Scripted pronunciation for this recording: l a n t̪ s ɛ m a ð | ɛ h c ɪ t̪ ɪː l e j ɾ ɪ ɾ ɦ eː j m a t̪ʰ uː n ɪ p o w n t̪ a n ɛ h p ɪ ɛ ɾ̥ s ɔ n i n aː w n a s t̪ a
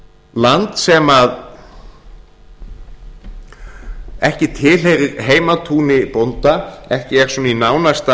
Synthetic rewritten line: l a n t̪ s ɛ m a ð | ɛ h c ɪ t̪ʰ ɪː l e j ɾ ɪ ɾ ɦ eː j m a t̪ʰ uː n ɪ p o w n t̪ a ɛ h c ɪ ɛ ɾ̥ s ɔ n i n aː w n a s t̪ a